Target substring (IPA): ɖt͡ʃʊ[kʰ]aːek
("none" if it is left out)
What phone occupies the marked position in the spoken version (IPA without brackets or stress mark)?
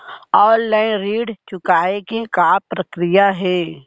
k